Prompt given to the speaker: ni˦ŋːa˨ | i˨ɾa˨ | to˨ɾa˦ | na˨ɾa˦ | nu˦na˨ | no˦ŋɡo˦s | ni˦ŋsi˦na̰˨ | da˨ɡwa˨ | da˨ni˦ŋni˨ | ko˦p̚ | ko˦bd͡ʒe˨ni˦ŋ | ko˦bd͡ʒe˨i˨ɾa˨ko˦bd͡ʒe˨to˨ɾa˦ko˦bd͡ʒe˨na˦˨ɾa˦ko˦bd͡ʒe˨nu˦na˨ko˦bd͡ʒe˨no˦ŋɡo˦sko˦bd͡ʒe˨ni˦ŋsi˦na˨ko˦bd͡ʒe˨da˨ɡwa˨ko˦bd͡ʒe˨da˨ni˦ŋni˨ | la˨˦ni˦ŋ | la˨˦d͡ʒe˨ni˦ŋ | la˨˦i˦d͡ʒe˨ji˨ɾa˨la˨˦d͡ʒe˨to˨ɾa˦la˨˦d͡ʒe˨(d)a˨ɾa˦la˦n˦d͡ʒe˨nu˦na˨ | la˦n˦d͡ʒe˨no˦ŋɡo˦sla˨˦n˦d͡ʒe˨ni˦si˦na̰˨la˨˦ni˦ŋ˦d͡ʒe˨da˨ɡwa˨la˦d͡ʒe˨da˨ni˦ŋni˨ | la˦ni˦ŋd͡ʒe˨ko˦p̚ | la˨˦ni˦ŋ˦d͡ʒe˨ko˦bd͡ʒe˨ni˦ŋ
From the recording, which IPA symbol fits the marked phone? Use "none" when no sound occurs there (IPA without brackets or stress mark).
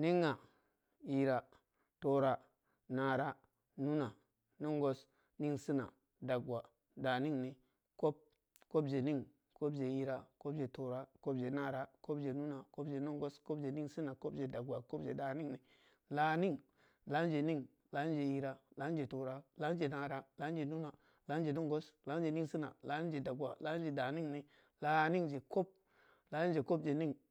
n